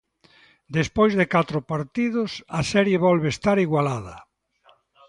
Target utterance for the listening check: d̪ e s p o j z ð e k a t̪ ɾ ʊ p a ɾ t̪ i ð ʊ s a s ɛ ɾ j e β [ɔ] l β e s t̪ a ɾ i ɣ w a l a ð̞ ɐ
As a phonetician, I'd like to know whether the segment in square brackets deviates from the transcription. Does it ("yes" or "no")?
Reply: no